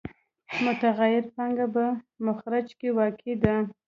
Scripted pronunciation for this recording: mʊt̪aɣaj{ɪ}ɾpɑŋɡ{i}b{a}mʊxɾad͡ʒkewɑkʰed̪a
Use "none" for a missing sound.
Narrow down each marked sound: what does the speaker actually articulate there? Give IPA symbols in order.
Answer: ɪ, a, a

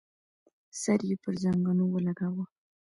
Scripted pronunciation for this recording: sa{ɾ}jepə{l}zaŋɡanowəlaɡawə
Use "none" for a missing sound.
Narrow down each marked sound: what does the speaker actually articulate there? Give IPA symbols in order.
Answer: ɾ, ɾ

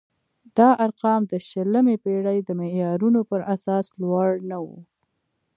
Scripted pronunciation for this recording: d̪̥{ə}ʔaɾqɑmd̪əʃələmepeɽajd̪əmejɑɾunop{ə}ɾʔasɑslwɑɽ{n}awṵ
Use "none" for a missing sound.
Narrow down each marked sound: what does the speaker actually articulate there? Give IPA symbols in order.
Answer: ɑ, ə, n

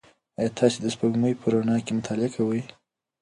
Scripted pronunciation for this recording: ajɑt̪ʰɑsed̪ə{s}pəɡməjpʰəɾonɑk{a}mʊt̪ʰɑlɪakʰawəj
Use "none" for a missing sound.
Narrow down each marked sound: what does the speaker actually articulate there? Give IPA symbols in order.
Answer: s, e

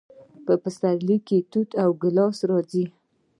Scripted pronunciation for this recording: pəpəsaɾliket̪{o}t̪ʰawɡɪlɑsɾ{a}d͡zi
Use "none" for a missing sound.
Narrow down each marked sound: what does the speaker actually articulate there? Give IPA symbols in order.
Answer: u, ɑ

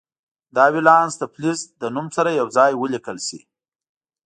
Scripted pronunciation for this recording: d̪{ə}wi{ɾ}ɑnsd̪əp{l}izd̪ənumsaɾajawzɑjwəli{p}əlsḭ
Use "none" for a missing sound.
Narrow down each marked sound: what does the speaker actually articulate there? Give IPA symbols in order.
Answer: ɑ, l, l, k

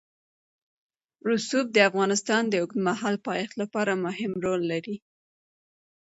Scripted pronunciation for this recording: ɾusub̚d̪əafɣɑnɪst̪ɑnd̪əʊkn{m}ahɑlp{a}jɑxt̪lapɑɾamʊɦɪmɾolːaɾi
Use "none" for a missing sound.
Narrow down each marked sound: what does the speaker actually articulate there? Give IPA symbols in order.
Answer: m, ɑ

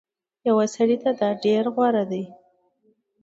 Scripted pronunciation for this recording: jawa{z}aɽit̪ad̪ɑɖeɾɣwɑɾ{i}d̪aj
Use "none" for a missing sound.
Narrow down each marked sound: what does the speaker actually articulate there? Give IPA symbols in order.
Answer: s, a

